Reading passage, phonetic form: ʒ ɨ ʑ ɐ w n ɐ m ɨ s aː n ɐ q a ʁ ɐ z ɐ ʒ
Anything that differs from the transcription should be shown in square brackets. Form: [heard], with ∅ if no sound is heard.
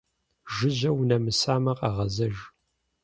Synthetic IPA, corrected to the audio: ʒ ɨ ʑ ɐ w n ɐ m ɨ s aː [m] ɐ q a ʁ ɐ z ɐ ʒ